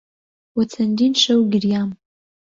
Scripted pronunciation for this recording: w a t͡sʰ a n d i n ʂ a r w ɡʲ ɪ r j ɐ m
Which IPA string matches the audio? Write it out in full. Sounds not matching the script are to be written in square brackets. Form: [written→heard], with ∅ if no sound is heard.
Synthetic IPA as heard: w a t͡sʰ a n d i n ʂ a [r→∅] w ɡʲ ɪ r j [ɐ→a] m